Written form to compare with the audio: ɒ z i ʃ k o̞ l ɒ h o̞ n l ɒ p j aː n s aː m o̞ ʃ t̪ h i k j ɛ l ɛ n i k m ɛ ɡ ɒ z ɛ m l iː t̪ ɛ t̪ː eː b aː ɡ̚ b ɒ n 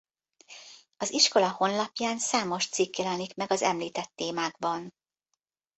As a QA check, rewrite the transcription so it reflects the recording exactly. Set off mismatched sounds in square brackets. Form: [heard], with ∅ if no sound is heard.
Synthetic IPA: ɒ z i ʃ k o̞ l ɒ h o̞ n l ɒ p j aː n s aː m o̞ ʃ t̪ [s] i k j ɛ l ɛ n i k m ɛ ɡ ɒ z ɛ m l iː t̪ ɛ t̪ː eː [m] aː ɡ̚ b ɒ n

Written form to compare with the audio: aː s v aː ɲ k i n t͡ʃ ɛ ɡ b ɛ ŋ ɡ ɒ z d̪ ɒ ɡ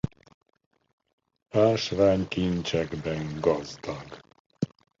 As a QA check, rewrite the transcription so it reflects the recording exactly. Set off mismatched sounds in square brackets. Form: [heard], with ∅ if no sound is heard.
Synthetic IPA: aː [ʃ] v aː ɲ k i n t͡ʃ ɛ ɡ b ɛ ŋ ɡ ɒ z d̪ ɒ ɡ

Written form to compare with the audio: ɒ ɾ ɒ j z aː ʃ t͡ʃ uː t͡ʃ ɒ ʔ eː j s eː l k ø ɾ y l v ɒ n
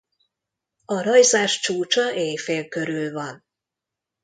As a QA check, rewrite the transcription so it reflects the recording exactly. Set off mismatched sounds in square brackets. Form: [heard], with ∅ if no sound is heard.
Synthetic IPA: ɒ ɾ ɒ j z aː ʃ t͡ʃ uː t͡ʃ ɒ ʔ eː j [f] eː l k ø ɾ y l v ɒ n

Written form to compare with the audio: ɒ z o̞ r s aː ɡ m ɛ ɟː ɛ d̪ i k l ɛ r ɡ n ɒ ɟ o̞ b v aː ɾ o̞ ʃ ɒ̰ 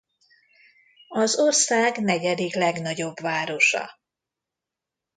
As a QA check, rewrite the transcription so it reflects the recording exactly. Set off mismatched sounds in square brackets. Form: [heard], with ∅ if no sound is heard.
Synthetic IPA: ɒ z o̞ r s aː ɡ [n] ɛ [ɟ] ɛ d̪ i k l ɛ [∅] ɡ n ɒ ɟ o̞ b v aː ɾ o̞ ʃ ɒ̰

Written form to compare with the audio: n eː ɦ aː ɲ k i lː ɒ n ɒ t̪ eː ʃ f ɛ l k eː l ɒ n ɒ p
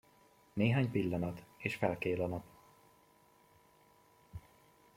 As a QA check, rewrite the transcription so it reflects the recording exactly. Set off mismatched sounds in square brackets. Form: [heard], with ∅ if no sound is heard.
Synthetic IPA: n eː ɦ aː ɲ [p] i lː ɒ n ɒ t̪ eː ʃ f ɛ l k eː l ɒ n ɒ p

